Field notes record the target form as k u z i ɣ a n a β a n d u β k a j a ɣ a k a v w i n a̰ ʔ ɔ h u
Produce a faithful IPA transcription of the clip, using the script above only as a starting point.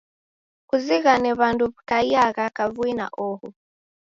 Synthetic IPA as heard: k u z i ɣ a n ɛ β a n d u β k a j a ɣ a k a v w i n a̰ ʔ ɔ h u